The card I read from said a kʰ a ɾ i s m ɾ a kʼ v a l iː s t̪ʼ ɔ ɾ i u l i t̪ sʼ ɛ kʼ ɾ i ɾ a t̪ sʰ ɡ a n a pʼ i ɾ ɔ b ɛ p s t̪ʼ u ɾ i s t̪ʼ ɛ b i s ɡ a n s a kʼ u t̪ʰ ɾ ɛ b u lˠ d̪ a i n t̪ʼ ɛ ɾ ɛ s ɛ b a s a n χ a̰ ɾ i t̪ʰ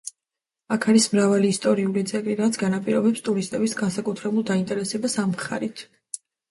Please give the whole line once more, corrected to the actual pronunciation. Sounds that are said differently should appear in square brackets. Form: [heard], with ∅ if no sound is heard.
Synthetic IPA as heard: a kʰ a ɾ i s m ɾ a [∅] v a l iː s t̪ʼ ɔ ɾ i u l i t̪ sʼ ɛ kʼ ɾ i ɾ a t̪ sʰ ɡ a n a pʼ i ɾ ɔ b ɛ p s t̪ʼ u ɾ i s t̪ʼ ɛ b i s ɡ a n s a kʼ u t̪ʰ ɾ ɛ b u lˠ d̪ a i n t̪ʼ ɛ ɾ ɛ s ɛ b a s a [m] χ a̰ ɾ i t̪ʰ